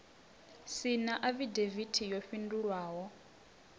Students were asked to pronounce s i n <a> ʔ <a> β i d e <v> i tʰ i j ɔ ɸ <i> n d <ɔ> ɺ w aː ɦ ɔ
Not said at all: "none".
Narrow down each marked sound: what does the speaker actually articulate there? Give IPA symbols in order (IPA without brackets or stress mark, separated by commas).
a, a, v, i, u